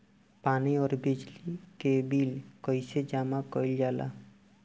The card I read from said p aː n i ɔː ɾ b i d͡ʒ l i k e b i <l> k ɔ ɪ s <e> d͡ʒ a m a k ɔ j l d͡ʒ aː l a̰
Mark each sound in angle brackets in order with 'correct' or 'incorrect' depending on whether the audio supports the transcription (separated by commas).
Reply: correct, correct